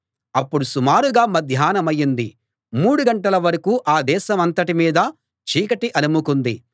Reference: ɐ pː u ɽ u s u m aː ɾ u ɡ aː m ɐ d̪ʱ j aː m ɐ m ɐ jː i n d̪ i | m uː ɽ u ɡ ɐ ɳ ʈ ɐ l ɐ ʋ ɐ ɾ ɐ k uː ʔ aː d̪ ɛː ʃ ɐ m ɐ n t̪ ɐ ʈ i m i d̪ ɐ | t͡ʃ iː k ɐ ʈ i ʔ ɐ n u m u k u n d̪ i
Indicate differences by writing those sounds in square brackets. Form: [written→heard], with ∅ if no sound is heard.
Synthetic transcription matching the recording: ɐ pː u ɽ u s u m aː ɾ u ɡ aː m ɐ d̪ʱ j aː [m→n] ɐ m ɐ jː i n d̪ i | m uː ɽ u ɡ ɐ ɳ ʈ ɐ l ɐ ʋ ɐ ɾ ɐ k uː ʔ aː d̪ ɛː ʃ ɐ m ɐ n t̪ ɐ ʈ i m [i→iː] d̪ ɐ | t͡ʃ iː k ɐ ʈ i ʔ ɐ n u m u k u n d̪ i